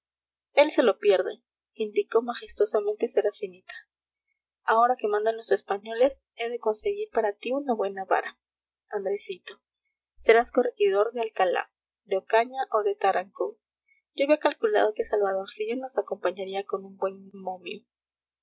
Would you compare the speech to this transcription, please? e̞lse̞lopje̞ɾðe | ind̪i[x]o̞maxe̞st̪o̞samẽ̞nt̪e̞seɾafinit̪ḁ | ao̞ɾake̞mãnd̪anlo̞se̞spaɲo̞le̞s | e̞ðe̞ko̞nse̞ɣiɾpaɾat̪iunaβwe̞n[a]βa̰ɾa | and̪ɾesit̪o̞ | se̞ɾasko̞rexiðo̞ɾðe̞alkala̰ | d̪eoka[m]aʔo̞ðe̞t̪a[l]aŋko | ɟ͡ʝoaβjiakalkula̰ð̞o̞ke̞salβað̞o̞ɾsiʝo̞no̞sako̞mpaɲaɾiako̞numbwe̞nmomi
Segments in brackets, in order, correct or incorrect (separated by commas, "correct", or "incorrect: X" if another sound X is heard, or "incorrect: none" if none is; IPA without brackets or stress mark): incorrect: k, correct, incorrect: ɲ, incorrect: ɾ